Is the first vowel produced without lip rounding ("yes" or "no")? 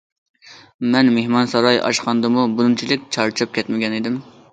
yes